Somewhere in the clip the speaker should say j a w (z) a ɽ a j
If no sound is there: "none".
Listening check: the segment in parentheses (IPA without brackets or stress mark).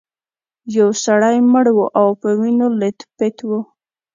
s